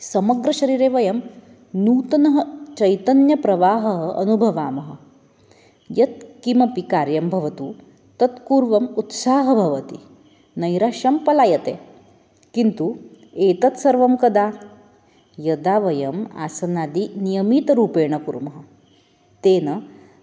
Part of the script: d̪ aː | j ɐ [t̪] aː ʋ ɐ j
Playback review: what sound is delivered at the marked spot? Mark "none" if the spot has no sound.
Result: d̪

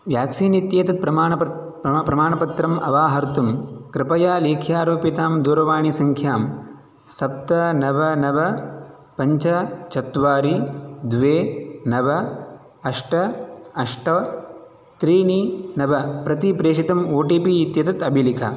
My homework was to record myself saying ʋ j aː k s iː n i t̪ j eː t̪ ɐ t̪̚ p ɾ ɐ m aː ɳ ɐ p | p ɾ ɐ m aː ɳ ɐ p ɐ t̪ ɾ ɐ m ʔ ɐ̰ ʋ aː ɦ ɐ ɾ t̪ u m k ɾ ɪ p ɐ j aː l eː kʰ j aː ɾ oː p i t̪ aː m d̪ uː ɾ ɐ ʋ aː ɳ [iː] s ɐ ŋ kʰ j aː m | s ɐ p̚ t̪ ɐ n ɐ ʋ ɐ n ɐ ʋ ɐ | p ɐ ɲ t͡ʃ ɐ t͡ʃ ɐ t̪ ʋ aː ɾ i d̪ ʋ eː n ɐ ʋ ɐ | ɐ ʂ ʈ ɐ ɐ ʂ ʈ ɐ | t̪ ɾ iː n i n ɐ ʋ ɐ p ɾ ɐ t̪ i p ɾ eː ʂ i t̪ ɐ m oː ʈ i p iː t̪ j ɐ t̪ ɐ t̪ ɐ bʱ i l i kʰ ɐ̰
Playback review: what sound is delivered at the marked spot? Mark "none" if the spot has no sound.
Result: i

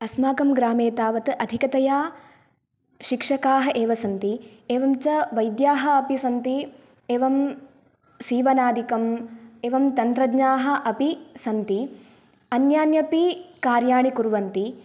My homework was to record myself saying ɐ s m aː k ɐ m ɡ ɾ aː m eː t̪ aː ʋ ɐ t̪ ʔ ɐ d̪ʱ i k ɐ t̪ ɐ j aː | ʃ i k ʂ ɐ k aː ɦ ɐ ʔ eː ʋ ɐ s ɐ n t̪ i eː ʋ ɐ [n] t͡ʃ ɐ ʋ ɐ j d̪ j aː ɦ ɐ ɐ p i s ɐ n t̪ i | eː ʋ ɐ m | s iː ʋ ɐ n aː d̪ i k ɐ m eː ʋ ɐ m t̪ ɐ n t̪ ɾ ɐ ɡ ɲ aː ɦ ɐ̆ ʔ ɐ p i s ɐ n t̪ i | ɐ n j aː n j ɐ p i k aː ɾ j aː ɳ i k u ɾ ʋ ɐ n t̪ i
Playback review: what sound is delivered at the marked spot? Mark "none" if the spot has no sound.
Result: m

